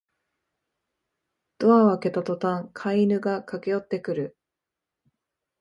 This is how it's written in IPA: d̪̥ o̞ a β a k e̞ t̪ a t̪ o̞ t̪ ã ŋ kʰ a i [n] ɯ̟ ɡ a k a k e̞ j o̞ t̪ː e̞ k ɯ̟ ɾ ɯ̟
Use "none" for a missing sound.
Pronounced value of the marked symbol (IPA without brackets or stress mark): n